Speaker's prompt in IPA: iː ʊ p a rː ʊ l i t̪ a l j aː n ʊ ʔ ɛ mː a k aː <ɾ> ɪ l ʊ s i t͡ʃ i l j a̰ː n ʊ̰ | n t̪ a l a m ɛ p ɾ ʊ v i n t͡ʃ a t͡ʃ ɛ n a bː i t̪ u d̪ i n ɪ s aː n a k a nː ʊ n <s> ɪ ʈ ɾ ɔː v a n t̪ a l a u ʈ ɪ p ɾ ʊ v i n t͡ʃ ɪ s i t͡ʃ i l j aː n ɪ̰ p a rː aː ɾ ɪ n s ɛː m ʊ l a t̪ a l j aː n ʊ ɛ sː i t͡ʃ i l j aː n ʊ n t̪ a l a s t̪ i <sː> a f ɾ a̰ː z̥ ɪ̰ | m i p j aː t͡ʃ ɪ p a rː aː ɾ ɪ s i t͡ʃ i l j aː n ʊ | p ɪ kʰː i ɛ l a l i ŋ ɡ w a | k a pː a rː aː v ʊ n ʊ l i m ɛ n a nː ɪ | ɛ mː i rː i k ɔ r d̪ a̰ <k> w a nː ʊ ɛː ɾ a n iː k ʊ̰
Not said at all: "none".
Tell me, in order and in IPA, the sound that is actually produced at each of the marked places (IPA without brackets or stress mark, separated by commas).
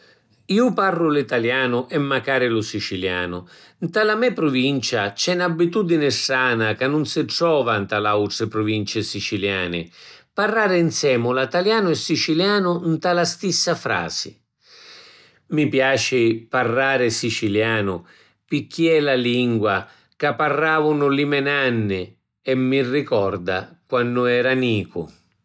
ɾ, s, sː, k